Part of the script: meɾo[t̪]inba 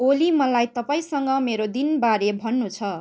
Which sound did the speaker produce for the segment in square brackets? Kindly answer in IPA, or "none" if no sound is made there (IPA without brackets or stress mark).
d̪